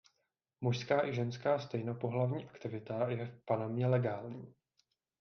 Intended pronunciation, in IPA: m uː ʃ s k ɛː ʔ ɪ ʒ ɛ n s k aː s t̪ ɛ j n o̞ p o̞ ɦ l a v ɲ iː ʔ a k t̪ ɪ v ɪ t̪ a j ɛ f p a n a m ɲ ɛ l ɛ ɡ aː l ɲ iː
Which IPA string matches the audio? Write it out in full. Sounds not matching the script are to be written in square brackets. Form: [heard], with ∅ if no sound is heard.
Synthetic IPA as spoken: m [u] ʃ s k [aː] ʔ ɪ ʒ ɛ n s k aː s t̪ ɛ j n o̞ p o̞ ɦ l a v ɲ iː ʔ a k t̪ ɪ v ɪ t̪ a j ɛ f p a n a m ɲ ɛ l ɛ ɡ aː l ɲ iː